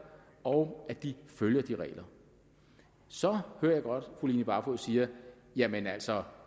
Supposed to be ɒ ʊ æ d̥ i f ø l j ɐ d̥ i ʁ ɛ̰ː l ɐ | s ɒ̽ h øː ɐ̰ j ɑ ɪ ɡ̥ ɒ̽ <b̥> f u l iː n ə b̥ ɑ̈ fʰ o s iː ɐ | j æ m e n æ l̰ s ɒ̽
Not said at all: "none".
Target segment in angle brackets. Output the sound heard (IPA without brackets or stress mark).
d̥